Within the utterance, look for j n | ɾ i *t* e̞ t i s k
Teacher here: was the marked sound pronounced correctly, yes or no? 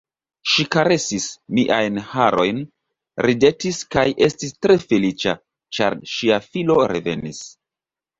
no